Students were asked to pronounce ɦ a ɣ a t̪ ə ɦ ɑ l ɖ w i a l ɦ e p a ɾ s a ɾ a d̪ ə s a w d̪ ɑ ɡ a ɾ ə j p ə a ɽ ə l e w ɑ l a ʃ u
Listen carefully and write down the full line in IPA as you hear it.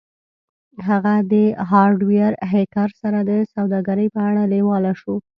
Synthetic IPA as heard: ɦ a ɣ a d̪ ə ɦ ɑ ɾ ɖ w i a ɾ ɦ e k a ɾ s a ɾ a d̪ ə s a w d̪ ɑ ɡ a ɾ ə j p ə a ɽ a l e w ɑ l a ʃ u